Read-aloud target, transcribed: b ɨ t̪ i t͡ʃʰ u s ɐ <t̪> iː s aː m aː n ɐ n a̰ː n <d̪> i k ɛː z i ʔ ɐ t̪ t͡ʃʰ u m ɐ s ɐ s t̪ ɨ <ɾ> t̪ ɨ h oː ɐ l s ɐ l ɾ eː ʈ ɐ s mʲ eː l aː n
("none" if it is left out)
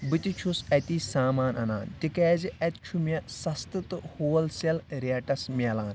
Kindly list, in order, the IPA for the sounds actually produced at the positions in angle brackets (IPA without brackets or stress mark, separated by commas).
t̪, t̪, none